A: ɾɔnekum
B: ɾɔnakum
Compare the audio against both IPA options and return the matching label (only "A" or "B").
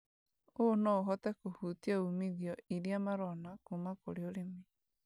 B